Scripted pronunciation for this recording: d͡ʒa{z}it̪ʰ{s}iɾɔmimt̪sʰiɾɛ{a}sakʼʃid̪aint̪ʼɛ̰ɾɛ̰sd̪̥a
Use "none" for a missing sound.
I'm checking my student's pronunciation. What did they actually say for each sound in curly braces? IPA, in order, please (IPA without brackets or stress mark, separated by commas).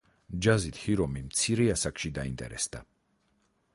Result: z, h, a